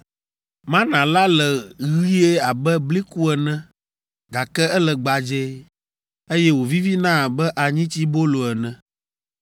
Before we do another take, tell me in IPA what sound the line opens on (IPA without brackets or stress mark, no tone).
m